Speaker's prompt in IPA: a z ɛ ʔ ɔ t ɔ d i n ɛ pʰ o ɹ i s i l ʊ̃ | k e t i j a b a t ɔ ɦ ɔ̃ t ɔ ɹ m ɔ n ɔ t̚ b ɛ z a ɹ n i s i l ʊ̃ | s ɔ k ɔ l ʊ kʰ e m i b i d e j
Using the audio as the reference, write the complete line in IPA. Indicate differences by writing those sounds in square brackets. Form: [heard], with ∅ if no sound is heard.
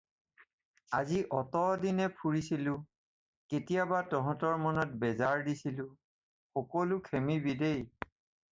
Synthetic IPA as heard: a z [i] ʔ ɔ t ɔ d i n ɛ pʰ [u] ɹ i s i l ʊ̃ | k e t i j a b a t ɔ ɦ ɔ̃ t ɔ ɹ m ɔ n ɔ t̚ b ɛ z a ɹ [d] i s i l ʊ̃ | [x] ɔ k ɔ l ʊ kʰ e m i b i d e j